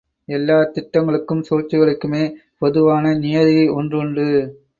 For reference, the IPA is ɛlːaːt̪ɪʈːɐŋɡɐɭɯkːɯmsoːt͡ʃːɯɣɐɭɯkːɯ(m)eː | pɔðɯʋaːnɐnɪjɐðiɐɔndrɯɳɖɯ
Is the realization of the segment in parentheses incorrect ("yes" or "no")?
no